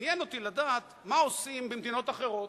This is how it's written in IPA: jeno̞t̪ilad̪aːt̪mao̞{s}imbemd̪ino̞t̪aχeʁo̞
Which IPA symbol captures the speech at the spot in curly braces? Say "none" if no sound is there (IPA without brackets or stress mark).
s